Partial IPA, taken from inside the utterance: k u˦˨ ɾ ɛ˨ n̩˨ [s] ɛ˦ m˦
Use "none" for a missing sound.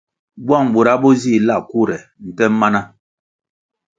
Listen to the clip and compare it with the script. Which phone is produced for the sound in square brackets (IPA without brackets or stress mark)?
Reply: t